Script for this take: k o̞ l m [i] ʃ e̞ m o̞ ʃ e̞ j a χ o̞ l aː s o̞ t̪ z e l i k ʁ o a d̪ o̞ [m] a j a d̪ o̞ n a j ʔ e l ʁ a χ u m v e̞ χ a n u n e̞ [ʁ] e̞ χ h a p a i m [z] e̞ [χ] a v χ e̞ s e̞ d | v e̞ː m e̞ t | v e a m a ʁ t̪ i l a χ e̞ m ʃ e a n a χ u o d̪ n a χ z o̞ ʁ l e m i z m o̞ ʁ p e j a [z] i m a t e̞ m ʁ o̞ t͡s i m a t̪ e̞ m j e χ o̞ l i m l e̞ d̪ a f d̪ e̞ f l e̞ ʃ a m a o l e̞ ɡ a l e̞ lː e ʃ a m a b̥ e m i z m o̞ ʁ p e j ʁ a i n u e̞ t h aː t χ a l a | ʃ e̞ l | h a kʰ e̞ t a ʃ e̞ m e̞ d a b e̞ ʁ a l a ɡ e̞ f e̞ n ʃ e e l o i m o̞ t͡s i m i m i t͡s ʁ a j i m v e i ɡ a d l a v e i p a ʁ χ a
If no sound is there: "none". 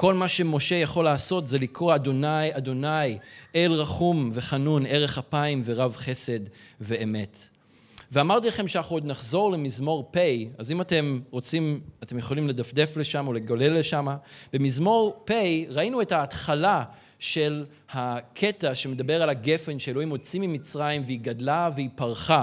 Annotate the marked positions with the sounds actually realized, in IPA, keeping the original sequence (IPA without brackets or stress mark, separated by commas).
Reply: a, n, ʁ, v, ʁ, z